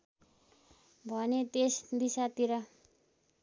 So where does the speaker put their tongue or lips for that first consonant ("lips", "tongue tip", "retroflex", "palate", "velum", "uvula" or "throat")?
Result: lips